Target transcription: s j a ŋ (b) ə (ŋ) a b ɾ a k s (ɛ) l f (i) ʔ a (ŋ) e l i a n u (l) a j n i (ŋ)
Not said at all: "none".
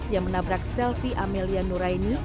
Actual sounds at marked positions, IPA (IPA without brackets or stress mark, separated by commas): m, n, ɛ, i, m, ɾ, none